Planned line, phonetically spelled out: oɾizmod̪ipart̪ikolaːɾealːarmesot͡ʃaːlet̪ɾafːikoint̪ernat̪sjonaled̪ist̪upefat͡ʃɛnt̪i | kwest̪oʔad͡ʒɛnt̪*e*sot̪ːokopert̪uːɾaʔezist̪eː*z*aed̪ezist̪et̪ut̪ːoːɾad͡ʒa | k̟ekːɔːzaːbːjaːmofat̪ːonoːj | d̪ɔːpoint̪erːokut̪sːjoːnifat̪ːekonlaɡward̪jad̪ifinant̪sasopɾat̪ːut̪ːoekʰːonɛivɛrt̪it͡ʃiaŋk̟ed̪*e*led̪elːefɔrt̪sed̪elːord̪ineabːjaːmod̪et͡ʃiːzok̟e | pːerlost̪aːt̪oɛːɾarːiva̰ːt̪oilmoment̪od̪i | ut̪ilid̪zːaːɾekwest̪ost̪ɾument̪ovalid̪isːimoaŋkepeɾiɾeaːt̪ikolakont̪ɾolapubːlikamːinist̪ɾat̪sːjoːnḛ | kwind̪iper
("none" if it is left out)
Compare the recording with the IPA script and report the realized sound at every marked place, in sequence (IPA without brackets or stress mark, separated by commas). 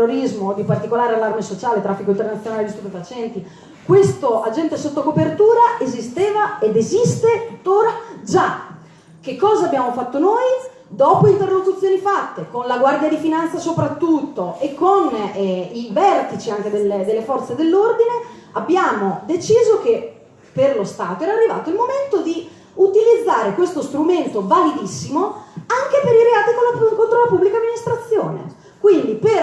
e, v, e